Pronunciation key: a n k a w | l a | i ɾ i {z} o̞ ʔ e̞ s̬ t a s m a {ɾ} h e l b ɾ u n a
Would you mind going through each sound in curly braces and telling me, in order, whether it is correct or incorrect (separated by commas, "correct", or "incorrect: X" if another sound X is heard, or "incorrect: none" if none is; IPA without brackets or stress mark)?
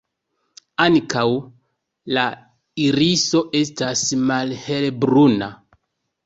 incorrect: s, incorrect: l